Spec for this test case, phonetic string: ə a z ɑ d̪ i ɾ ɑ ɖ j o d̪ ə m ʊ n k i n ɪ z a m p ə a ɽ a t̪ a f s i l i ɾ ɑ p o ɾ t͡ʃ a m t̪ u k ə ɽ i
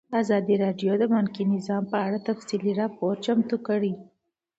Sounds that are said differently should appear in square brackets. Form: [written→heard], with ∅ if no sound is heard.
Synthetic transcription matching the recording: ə a z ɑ d̪ i ɾ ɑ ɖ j o d̪ ə m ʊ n k i n ɪ z [a→ɑ] m p ə a ɽ a t̪ a f s i l i ɾ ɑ p o ɾ t͡ʃ a m t̪ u k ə ɽ i